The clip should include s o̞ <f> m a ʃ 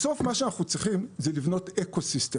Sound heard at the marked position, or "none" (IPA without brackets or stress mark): f